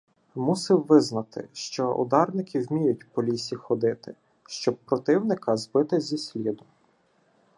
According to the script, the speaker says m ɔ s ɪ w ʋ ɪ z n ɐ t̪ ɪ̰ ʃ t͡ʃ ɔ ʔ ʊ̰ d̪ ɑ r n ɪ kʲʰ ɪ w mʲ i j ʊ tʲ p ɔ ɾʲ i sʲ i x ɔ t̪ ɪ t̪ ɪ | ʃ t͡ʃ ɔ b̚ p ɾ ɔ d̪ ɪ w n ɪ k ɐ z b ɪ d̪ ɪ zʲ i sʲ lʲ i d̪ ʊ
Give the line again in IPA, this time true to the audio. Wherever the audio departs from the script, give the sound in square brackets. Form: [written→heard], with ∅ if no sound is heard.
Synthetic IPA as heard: m [ɔ→u] s ɪ w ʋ ɪ z n ɐ t̪ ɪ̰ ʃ t͡ʃ ɔ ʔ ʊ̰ d̪ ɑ r n ɪ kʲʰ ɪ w mʲ i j ʊ tʲ p ɔ [ɾʲ→lʲ] i sʲ i x ɔ [t̪→d̪] ɪ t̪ ɪ | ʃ t͡ʃ ɔ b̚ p ɾ ɔ [d̪→t̪] ɪ w n ɪ k ɐ z b ɪ [d̪→t̪] ɪ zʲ i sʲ lʲ i d̪ ʊ

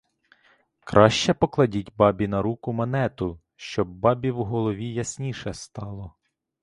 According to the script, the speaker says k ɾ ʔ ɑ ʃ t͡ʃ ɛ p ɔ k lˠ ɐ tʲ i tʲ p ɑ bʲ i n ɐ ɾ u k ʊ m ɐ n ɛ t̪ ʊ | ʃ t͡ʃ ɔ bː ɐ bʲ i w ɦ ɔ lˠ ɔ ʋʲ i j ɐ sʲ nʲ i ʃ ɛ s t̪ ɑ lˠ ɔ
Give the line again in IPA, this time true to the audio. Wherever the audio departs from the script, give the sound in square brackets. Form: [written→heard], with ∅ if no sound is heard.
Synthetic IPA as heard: k ɾ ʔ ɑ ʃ t͡ʃ ɛ p ɔ k lˠ ɐ [tʲ→dʲ] i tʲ [p→b] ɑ bʲ i n ɐ ɾ u k ʊ m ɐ n ɛ t̪ ʊ | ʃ t͡ʃ ɔ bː [ɐ→ɑ] bʲ i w ɦ ɔ lˠ ɔ ʋʲ i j ɐ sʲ nʲ i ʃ ɛ s t̪ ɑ lˠ ɔ

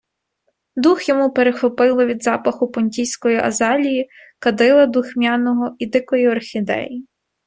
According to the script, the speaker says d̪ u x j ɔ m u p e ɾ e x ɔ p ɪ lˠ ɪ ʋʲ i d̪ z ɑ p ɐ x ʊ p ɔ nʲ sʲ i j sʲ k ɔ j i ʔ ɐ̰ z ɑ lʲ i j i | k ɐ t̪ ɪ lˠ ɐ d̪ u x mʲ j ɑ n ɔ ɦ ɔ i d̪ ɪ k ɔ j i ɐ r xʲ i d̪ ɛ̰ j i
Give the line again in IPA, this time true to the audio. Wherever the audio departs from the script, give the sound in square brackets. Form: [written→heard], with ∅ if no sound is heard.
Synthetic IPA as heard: d̪ u x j ɔ m u p e ɾ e x ɔ p ɪ lˠ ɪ ʋʲ i d̪ z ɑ p ɐ x ʊ p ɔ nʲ [sʲ→tʲ] i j sʲ k ɔ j i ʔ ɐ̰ z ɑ lʲ i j i | k ɐ [t̪→d̪] ɪ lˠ ɐ d̪ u x mʲ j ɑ n ɔ ɦ ɔ i d̪ ɪ k ɔ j i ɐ r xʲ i d̪ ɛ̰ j i

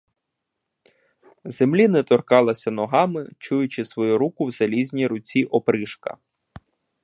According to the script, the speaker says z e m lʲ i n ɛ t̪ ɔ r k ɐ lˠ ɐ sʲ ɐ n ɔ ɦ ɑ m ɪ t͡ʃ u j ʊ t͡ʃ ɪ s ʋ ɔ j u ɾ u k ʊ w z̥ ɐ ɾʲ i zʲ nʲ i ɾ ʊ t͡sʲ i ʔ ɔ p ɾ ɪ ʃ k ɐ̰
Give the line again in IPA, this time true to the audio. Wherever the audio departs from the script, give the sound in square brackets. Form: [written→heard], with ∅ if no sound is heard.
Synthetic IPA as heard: z e m lʲ i n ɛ t̪ ɔ r k [ɐ→ɑ] lˠ ɐ sʲ ɐ n ɔ ɦ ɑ m ɪ t͡ʃ u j ʊ t͡ʃ ɪ s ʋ ɔ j u ɾ u k ʊ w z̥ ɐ [ɾʲ→lʲ] i zʲ nʲ i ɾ ʊ t͡sʲ i ʔ ɔ p ɾ ɪ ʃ k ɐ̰

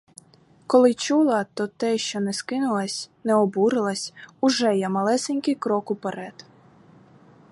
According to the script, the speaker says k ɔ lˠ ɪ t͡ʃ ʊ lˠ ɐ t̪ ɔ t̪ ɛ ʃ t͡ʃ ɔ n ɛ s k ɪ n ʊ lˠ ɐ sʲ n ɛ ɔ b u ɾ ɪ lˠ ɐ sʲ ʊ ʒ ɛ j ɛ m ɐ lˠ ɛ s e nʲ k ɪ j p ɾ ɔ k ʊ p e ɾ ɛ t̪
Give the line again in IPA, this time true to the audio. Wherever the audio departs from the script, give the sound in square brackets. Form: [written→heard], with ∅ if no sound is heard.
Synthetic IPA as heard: k ɔ lˠ ɪ t͡ʃ [ʊ→u] lˠ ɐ t̪ ɔ t̪ ɛ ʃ t͡ʃ ɔ n ɛ s k ɪ n ʊ lˠ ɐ sʲ n ɛ ɔ b u ɾ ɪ lˠ ɐ sʲ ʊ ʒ ɛ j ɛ m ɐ lˠ ɛ s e nʲ k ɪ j [p→k] ɾ ɔ k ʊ p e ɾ ɛ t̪

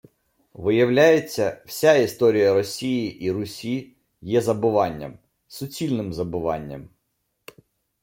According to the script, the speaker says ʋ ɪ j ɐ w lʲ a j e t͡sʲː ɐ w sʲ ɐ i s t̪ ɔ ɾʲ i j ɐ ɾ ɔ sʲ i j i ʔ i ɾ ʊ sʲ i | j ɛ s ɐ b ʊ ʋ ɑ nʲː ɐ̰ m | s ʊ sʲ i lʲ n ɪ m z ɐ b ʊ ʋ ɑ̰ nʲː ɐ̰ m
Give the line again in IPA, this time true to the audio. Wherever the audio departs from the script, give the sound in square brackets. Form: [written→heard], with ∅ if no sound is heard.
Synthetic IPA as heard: ʋ ɪ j ɐ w lʲ a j e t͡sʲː ɐ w sʲ [ɐ→a] i s t̪ ɔ ɾʲ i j ɐ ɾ ɔ sʲ i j i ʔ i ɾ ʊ sʲ i | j ɛ [s→z] ɐ b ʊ ʋ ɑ nʲː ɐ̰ m | s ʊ [sʲ→t͡sʲ] i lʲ n ɪ m z ɐ b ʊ ʋ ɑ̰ nʲː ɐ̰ m

